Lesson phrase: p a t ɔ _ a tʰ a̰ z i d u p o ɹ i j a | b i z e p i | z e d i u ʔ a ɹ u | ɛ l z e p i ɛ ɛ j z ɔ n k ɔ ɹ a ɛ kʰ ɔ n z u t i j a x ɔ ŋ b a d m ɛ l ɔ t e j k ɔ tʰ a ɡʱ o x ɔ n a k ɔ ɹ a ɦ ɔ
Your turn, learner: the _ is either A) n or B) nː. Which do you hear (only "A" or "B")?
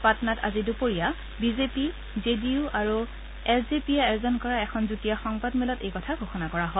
A